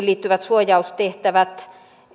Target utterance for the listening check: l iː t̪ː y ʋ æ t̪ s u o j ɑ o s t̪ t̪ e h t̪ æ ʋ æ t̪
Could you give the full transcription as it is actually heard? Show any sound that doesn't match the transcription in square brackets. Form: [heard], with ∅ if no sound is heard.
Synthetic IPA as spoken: l iː t̪ː y ʋ æ t̪ s u o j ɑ [u] s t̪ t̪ e h t̪ æ ʋ æ t̪